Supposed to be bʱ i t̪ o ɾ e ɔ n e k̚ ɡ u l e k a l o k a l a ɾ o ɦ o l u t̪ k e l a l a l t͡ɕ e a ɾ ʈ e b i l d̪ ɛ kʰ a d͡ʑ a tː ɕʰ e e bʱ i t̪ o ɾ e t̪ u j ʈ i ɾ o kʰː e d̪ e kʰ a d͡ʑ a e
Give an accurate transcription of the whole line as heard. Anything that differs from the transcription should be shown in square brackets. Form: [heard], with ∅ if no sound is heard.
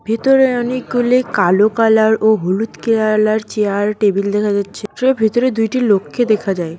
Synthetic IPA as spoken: bʱ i t̪ o ɾ e ɔ n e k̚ ɡ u l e k a l o k a l a ɾ o ɦ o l u t̪ k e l a l a [ɾ] t͡ɕ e a ɾ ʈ e b i l d̪ ɛ kʰ a d͡ʑ a tː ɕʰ e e bʱ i t̪ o ɾ e [d̪] u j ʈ i [l] o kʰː e d̪ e kʰ a d͡ʑ a e